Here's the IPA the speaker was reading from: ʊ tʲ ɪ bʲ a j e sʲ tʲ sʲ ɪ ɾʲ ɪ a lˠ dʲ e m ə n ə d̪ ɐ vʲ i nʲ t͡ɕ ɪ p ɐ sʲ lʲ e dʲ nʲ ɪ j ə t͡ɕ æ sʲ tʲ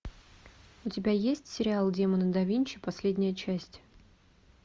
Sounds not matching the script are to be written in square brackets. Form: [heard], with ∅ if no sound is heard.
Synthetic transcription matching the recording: ʊ tʲ ɪ bʲ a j e sʲ tʲ sʲ ɪ ɾʲ ɪ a lˠ dʲ e m ə n ə d̪ ɐ vʲ i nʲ t͡ɕ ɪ p ɐ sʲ lʲ e dʲ nʲ ɪ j ə t͡ɕ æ sʲ tʲ

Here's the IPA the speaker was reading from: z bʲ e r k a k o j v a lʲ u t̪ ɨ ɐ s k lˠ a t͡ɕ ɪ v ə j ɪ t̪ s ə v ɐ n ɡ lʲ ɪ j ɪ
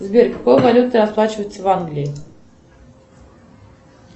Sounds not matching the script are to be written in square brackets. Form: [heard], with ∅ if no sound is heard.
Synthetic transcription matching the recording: z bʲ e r k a k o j v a lʲ u t̪ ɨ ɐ s [p] lˠ a t͡ɕ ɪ v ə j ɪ t̪ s ə v [a] n ɡ lʲ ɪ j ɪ

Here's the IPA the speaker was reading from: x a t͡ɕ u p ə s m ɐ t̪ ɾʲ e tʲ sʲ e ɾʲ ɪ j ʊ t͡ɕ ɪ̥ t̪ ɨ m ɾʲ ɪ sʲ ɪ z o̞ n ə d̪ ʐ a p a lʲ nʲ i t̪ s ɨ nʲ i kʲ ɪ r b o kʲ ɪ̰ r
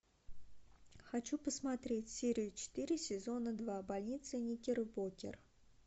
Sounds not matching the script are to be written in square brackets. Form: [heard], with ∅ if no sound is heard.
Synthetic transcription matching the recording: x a t͡ɕ u p ə s m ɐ t̪ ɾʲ e tʲ sʲ e ɾʲ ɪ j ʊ t͡ɕ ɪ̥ t̪ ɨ [∅] ɾʲ ɪ sʲ ɪ z o̞ n ə d̪ [v] a [b] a lʲ nʲ i t̪ s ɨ nʲ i kʲ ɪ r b o kʲ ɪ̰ r

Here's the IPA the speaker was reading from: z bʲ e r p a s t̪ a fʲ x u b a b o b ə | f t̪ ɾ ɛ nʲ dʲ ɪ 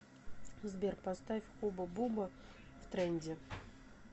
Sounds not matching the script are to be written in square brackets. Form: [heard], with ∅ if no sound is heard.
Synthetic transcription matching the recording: z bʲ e r p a s t̪ a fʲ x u b [ə] b [u] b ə | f t̪ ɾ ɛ nʲ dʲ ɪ

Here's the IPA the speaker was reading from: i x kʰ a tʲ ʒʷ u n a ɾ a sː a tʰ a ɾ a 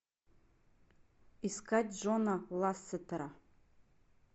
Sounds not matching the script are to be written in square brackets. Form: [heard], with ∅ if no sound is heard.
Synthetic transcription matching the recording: i [s] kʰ a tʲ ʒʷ [o] n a [l] a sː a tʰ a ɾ a

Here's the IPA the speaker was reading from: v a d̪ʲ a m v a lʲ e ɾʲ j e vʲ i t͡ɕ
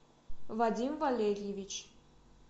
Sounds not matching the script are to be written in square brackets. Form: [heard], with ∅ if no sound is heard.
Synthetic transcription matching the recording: v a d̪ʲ [i] m v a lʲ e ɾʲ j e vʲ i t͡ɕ

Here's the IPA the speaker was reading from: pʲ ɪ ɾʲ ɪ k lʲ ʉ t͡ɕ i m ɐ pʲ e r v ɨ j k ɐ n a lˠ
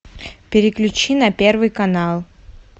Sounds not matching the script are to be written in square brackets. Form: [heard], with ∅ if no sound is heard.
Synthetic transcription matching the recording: pʲ ɪ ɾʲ ɪ k lʲ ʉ t͡ɕ i [n] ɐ pʲ e r v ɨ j k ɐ n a lˠ

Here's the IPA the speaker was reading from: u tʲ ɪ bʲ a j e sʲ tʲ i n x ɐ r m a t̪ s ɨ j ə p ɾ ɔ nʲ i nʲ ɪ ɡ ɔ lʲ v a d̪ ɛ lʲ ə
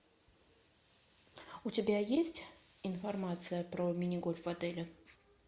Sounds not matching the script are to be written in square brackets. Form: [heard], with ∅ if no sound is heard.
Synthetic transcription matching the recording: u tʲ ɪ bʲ a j e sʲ tʲ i n [f] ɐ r m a t̪ s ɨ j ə p ɾ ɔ [mʲ] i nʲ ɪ ɡ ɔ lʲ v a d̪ ɛ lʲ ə

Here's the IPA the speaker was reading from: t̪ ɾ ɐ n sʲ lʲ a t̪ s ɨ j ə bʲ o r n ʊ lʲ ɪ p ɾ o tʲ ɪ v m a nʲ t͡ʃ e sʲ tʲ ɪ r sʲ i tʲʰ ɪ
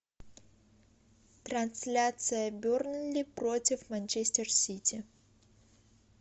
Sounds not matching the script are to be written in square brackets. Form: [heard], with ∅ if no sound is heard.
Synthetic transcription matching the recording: t̪ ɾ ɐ n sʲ lʲ a t̪ s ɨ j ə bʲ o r n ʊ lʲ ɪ p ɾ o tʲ ɪ [f] m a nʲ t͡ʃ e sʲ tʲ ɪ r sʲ i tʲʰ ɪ

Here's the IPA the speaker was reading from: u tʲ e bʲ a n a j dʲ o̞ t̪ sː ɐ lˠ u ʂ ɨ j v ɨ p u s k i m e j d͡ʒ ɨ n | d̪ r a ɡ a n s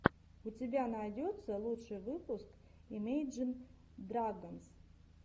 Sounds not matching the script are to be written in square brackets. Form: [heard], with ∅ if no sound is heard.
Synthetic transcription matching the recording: u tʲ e bʲ a n a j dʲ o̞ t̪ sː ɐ lˠ u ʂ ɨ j v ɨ p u s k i m e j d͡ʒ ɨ n | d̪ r a ɡ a n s

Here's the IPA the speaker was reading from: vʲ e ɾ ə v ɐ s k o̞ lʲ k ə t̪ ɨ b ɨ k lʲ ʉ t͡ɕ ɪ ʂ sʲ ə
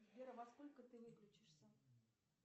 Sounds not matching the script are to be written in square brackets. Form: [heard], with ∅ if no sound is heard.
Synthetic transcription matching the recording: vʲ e ɾ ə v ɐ s k o̞ lʲ k ə t̪ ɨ [v] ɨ k lʲ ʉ t͡ɕ ɪ ʂ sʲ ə

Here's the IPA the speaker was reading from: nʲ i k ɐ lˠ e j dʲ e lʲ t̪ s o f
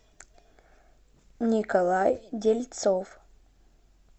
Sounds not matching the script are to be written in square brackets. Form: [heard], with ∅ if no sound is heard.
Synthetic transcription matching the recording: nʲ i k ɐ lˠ [a] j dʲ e lʲ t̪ s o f

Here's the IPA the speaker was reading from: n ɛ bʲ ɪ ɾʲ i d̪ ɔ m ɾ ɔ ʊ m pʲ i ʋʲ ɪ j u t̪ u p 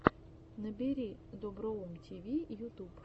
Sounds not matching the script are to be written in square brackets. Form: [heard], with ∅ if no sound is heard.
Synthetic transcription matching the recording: n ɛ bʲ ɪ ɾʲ i d̪ ɔ [b] ɾ ɔ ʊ m [tʲ] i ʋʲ [i] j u t̪ u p

